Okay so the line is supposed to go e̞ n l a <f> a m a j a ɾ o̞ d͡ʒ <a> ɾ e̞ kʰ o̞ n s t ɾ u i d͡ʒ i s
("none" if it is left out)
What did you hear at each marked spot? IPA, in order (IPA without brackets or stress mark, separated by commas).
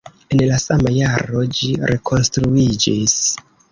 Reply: s, i